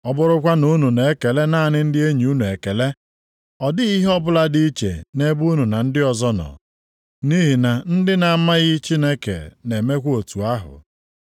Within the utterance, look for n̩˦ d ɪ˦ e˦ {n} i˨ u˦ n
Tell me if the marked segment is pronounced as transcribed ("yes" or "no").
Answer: no